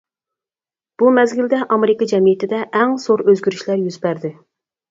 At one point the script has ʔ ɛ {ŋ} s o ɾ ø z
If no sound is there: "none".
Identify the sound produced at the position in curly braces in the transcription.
ŋ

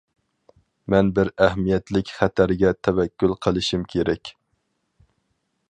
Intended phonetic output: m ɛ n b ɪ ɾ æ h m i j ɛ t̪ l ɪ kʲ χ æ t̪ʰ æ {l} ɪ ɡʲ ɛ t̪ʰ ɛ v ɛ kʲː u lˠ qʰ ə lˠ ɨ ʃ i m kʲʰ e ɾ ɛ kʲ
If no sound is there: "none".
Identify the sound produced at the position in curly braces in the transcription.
ɾ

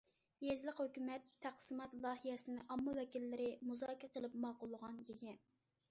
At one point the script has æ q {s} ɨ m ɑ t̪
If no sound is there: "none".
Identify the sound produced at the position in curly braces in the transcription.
s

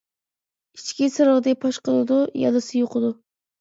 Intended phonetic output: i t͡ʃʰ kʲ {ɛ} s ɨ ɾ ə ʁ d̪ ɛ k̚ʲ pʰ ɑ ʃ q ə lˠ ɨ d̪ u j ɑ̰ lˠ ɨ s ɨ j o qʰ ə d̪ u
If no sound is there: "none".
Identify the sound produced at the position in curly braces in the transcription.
i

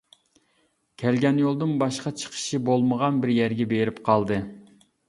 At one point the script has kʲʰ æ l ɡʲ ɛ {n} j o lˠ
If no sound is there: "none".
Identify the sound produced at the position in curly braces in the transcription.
n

